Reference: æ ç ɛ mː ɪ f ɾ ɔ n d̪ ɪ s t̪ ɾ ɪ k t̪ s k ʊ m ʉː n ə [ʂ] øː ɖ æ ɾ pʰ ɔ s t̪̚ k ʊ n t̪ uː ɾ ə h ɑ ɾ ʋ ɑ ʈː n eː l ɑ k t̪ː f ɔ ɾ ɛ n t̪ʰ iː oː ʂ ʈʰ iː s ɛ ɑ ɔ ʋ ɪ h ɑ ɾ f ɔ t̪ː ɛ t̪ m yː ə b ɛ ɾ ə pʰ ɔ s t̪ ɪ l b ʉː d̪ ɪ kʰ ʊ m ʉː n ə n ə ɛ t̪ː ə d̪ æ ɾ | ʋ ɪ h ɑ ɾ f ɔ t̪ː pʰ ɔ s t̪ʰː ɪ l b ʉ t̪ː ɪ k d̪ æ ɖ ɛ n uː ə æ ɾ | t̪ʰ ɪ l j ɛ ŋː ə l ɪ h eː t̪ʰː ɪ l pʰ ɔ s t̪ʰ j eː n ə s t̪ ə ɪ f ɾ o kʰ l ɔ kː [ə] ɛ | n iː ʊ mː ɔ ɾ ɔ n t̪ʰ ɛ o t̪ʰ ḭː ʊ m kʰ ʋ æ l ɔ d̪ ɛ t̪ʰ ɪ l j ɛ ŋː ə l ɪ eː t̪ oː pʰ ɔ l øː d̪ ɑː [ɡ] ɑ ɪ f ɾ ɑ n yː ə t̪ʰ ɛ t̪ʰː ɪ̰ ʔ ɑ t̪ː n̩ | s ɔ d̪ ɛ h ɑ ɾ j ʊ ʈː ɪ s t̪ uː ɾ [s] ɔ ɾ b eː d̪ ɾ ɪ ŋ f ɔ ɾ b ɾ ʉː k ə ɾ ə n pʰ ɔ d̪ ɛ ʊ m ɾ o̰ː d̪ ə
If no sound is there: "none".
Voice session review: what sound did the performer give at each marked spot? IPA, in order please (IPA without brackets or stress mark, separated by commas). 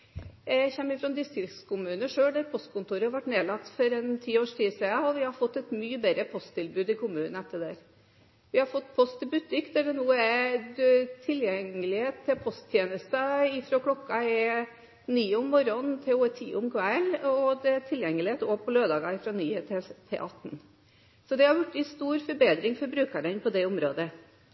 ʂ, ɑ, ɡ, f